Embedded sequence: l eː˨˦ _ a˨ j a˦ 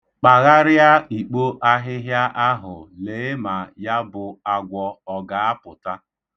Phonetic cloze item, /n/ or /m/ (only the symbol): m